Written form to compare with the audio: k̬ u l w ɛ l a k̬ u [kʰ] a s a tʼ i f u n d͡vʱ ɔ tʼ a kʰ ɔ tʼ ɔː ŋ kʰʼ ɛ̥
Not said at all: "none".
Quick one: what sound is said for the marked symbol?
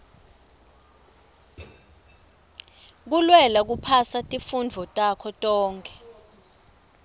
pʰ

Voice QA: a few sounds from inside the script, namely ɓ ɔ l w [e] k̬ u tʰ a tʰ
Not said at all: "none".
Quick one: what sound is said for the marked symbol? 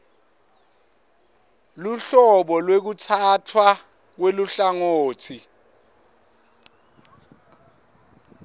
e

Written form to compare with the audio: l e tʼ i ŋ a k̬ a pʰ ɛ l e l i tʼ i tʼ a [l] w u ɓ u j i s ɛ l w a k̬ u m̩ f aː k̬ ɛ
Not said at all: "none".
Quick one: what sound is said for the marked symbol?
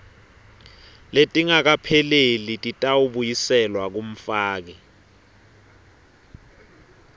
none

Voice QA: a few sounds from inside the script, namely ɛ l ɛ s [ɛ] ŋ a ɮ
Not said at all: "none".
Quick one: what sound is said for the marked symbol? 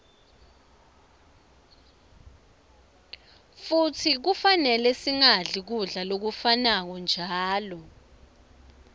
i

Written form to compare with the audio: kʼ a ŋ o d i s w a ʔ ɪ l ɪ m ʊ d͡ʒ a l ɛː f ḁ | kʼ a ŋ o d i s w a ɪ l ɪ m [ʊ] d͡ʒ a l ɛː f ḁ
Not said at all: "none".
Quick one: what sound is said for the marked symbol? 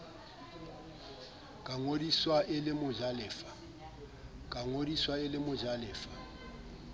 ʊ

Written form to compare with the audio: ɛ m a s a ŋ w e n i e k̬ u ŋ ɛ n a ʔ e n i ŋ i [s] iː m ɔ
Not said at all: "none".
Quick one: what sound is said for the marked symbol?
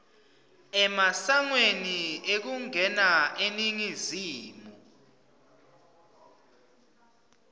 z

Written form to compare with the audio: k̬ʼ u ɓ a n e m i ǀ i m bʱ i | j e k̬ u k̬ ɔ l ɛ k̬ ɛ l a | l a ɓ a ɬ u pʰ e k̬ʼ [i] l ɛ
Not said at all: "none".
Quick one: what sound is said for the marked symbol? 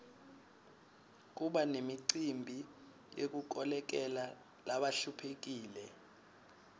iː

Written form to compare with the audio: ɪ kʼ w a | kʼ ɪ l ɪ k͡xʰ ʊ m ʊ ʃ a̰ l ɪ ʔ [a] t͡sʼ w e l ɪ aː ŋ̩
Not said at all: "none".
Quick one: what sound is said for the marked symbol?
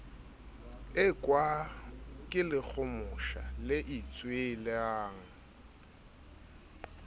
i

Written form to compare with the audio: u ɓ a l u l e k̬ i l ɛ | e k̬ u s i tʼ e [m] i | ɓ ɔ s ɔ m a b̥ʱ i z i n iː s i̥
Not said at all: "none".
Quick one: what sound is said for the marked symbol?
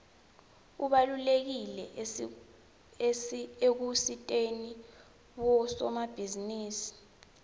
n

